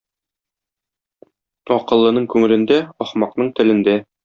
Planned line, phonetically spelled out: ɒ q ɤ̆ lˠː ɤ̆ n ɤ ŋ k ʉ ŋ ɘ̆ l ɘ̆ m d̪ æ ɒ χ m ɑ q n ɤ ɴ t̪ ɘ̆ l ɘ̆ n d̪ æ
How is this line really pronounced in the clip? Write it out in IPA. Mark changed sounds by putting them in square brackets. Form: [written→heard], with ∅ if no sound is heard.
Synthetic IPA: ɒ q ɤ̆ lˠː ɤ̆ n ɤ [ŋ→ɴ] k ʉ ŋ ɘ̆ l ɘ̆ [m→n] d̪ æ ɒ χ m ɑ q n ɤ ɴ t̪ ɘ̆ l ɘ̆ n d̪ æ